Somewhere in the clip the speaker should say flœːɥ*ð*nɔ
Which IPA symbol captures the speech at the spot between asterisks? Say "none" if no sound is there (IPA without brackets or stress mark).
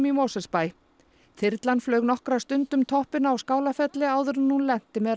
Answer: ɣ